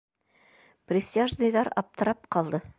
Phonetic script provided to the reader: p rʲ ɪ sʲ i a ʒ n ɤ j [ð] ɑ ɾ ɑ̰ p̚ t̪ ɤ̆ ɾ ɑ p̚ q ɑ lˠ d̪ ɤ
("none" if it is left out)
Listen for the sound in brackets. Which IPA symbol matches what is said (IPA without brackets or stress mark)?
ð